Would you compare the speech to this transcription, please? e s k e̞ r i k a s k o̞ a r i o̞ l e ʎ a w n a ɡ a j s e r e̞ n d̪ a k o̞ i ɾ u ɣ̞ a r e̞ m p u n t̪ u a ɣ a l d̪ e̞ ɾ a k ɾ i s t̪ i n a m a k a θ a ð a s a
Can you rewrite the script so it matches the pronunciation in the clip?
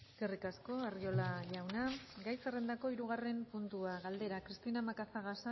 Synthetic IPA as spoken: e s k e̞ r i k a s k o̞ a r i o̞ l a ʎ a w n a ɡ a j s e r e̞ n d̪ a k o̞ i ɾ u ɣ̞ a r e̞ m p u n t̪ u a ɣ a l d̪ e̞ ɾ a k ɾ i s t̪ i n a m a k a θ a ɣ a s a